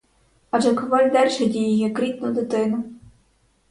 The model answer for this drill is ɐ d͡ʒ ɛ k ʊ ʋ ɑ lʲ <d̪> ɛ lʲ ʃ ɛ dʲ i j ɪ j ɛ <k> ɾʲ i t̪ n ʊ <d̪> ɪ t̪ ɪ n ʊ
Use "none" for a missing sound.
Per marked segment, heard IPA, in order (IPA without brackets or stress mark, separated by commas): d̪, k, d̪